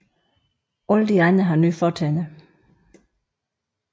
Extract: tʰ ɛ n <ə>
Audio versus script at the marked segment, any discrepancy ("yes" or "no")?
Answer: no